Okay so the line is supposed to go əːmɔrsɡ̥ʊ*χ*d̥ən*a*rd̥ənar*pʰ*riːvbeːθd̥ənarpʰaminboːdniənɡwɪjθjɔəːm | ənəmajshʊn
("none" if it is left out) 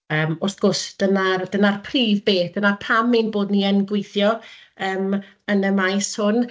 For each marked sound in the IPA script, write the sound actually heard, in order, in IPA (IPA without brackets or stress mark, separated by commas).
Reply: s, a, pʰ